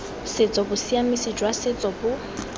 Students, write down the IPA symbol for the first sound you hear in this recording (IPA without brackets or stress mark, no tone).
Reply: s